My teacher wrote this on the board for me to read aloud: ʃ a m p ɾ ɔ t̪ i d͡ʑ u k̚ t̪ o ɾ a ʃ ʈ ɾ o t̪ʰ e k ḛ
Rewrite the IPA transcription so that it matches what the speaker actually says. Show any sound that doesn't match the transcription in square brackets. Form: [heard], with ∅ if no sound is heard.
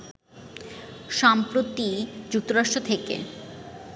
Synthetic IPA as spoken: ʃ a m p ɾ [o] t̪ i d͡ʑ u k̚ t̪ o ɾ a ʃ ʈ ɾ o t̪ʰ e k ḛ